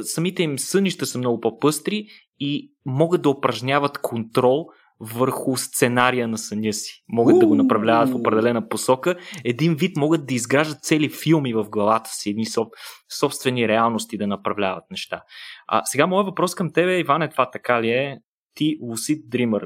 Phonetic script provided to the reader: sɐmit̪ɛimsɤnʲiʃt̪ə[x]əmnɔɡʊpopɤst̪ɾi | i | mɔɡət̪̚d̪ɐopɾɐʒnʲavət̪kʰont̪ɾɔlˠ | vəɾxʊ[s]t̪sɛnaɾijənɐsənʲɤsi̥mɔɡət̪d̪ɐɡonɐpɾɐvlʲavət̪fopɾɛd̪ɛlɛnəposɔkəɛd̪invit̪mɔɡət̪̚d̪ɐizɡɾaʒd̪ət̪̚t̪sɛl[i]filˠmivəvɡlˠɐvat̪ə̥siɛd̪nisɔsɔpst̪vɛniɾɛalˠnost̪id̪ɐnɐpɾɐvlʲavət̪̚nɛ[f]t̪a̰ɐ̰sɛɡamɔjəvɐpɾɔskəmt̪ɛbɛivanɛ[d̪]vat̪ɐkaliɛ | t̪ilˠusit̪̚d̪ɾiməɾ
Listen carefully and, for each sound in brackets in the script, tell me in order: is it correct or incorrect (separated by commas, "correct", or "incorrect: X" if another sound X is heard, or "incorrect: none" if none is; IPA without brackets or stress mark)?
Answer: incorrect: s, correct, correct, incorrect: ʃ, incorrect: t̪